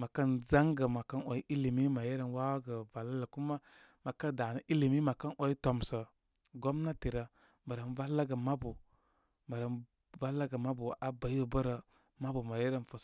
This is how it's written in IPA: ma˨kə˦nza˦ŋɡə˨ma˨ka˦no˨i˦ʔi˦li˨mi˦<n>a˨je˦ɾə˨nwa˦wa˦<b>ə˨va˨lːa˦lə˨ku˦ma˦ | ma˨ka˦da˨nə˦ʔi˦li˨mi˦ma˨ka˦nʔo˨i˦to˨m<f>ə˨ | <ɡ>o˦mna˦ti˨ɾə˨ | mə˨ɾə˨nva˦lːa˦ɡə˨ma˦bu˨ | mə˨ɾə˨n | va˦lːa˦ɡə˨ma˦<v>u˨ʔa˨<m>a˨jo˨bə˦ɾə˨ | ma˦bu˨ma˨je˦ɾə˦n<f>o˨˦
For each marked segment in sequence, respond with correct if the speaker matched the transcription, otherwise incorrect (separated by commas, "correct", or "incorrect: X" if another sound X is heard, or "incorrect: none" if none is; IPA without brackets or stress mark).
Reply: incorrect: m, incorrect: ɡ, incorrect: s, correct, incorrect: b, incorrect: b, correct